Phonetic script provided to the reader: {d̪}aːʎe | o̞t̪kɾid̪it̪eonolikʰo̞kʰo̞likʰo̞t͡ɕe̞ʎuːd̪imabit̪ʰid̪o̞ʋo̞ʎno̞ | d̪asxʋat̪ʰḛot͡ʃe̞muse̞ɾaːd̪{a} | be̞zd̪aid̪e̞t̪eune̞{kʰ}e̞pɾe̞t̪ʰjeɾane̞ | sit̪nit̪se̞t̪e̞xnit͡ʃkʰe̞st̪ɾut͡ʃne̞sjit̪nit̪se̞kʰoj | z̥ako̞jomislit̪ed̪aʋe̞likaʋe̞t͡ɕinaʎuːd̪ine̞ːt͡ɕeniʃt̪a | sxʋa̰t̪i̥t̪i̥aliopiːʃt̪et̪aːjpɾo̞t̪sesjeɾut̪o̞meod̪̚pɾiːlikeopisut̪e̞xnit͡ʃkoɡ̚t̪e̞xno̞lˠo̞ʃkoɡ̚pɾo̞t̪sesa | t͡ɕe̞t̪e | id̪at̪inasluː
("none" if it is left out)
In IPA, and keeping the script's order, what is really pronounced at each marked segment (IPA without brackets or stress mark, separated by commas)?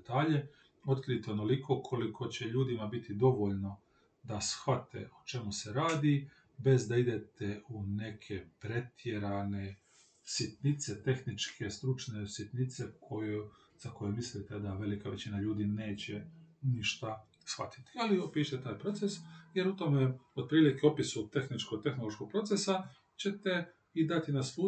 t̪, i, kʰ